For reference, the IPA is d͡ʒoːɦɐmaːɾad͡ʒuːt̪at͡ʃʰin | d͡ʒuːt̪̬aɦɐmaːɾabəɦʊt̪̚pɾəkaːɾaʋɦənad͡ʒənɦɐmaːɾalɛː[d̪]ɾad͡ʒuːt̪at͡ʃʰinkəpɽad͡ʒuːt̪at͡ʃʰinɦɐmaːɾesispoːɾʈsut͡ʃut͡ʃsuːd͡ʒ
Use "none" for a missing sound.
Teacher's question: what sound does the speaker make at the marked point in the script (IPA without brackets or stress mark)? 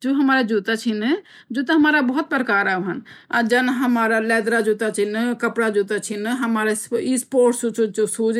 d̪